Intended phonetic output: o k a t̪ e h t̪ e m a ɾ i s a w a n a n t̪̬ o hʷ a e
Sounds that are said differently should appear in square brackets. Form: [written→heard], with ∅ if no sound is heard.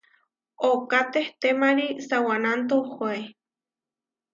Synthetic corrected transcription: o k a t̪ e h t̪ e m a ɾ i s a w a n a n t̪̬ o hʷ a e